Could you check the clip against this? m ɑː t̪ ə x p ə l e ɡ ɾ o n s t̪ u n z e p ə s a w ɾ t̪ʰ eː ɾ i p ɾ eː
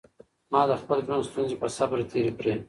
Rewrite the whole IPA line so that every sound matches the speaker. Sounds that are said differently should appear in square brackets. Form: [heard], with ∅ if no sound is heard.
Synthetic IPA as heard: m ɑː [d̪] ə x p ə l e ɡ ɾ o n s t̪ u n z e p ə s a [b] ɾ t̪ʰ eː ɾ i p ɾ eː